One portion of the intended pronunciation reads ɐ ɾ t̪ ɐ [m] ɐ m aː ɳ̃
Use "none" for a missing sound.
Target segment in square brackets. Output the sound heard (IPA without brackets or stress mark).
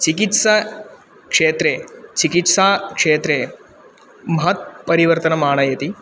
n